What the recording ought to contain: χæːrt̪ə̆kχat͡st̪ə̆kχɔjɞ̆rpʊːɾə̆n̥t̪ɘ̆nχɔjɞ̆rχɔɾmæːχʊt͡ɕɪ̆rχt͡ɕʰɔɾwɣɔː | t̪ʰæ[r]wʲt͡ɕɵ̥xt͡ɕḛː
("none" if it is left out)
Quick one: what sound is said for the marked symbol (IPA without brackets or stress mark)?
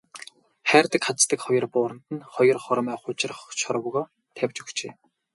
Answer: none